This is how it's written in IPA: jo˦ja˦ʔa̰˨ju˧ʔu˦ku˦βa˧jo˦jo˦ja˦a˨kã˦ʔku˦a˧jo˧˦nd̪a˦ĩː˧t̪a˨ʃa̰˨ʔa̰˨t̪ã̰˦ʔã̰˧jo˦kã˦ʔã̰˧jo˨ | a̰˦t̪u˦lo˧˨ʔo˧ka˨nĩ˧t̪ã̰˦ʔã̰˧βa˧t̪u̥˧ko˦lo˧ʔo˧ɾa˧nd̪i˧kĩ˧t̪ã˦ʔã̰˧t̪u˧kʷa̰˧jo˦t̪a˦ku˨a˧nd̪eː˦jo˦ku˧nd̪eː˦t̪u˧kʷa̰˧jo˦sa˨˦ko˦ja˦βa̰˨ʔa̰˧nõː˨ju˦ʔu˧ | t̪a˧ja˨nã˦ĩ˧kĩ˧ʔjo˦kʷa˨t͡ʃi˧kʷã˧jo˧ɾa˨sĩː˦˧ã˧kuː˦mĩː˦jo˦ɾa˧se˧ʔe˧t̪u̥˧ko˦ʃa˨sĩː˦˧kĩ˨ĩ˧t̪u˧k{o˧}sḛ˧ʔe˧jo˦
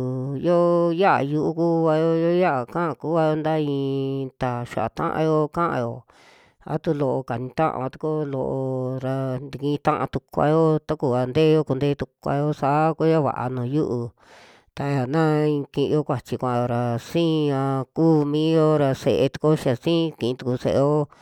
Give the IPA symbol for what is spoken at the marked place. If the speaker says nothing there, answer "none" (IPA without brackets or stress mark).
u˧